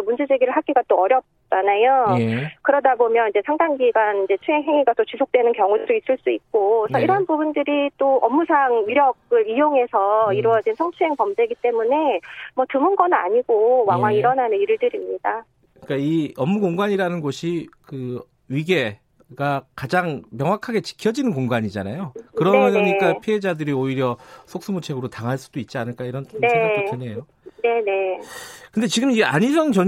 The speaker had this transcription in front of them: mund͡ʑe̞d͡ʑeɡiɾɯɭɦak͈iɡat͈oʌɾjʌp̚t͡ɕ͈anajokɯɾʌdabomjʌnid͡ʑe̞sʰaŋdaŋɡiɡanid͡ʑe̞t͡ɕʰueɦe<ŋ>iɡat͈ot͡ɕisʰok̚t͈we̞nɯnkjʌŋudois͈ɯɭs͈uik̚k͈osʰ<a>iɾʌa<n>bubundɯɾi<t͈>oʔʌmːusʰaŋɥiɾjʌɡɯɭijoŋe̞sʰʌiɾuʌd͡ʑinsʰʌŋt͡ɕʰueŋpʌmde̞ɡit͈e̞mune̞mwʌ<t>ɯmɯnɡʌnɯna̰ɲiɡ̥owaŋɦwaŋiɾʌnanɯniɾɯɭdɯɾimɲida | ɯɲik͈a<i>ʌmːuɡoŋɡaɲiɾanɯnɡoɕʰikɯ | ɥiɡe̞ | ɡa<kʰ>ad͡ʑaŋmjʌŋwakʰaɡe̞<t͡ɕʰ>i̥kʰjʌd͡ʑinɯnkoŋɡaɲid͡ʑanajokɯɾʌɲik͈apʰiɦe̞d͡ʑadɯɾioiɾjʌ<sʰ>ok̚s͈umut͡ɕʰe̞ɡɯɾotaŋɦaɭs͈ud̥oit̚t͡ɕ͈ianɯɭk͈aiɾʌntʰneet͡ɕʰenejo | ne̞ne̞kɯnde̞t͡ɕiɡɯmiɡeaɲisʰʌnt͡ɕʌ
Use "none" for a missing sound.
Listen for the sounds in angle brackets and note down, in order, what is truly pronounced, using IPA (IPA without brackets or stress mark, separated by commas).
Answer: ŋ, ʌ, n, t͈, t, i, k, t͡ɕ, sʰ